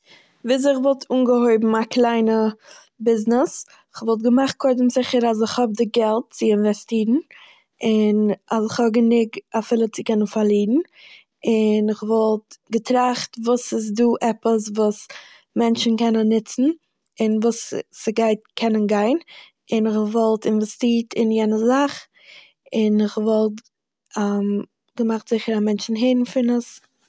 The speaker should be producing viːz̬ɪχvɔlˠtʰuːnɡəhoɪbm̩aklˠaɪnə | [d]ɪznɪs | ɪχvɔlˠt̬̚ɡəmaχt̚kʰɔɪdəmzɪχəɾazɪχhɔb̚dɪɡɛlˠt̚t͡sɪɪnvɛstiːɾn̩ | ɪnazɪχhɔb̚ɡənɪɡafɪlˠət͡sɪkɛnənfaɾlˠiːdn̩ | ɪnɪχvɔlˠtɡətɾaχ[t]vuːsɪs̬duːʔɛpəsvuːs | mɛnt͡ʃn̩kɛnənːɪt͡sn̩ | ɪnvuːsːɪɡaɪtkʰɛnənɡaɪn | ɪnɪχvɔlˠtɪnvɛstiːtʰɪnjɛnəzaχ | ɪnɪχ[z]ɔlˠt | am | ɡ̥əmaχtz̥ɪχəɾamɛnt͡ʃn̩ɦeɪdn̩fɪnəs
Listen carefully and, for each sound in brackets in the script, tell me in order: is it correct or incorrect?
incorrect: b, correct, incorrect: v

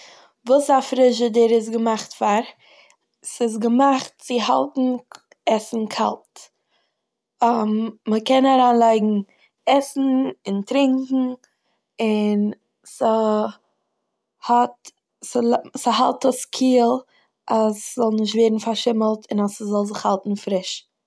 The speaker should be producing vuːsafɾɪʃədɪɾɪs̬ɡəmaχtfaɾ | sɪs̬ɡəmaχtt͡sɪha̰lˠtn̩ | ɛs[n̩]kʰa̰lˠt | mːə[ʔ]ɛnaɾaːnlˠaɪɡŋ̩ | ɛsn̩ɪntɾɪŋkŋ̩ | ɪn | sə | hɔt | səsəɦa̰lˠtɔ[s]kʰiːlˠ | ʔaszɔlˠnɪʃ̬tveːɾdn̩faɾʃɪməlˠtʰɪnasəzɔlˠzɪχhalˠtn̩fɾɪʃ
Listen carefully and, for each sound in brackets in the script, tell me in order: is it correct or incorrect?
correct, incorrect: k, correct

